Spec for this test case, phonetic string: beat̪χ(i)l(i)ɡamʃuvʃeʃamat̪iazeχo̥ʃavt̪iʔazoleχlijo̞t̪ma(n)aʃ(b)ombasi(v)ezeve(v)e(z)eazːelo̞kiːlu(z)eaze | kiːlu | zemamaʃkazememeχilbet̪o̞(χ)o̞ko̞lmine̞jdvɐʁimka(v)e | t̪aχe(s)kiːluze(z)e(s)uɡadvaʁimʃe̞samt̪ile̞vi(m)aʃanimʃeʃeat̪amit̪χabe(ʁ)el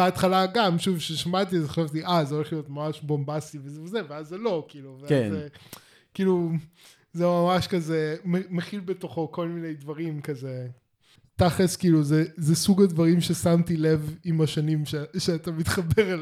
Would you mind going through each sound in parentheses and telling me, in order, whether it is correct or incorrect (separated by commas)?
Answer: incorrect, incorrect, incorrect, correct, correct, incorrect, incorrect, incorrect, correct, incorrect, correct, correct, correct, correct, correct